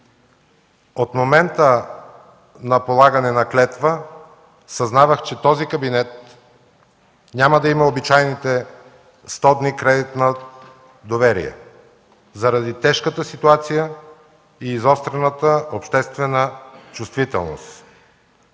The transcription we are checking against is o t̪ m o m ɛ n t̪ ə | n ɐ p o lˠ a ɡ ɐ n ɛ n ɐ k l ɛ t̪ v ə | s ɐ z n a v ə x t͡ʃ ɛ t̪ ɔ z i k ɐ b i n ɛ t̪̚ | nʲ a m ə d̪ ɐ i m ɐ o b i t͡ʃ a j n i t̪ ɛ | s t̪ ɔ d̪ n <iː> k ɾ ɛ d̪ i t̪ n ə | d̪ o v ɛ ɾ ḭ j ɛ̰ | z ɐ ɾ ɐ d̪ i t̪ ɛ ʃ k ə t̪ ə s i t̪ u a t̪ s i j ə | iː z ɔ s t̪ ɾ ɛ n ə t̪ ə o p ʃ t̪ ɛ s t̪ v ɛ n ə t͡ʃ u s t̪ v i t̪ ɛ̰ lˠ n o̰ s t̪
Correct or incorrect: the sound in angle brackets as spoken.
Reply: incorrect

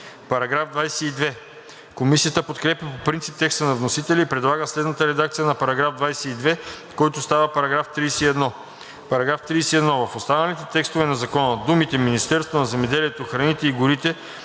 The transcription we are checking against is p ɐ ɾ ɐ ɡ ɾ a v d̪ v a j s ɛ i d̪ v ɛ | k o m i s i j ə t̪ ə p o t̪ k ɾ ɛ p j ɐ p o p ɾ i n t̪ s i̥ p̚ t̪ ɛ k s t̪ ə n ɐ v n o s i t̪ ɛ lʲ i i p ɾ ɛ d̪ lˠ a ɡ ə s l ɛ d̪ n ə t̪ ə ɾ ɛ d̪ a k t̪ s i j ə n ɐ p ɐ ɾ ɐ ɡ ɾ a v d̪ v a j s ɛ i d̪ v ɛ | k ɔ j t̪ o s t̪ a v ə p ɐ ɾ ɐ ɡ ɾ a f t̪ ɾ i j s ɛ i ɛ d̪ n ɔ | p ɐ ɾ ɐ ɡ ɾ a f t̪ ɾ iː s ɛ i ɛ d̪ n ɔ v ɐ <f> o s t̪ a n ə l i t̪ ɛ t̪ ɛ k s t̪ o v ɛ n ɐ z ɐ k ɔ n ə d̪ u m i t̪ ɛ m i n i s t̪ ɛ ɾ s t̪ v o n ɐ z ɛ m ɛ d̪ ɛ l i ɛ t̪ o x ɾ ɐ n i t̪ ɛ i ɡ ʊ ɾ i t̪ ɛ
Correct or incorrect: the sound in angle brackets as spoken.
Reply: correct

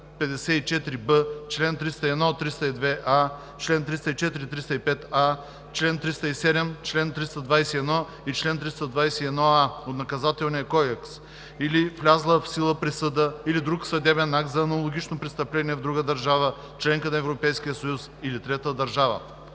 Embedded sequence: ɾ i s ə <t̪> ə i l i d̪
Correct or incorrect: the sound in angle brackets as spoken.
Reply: incorrect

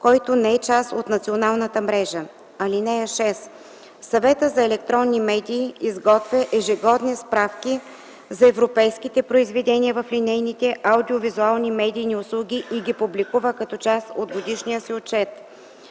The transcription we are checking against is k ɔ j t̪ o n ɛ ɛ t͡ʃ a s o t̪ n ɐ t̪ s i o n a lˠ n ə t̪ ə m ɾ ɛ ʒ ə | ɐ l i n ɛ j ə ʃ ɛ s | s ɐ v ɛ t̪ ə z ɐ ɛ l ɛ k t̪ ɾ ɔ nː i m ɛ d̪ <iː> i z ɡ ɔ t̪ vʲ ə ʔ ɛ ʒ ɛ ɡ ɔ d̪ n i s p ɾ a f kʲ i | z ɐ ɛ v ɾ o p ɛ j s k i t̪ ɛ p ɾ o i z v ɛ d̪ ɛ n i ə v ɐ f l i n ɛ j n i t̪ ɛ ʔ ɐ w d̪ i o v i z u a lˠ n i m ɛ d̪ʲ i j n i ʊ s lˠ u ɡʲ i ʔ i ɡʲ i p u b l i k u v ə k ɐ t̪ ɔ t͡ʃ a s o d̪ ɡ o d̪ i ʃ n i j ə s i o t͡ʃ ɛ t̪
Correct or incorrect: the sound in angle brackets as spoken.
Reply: correct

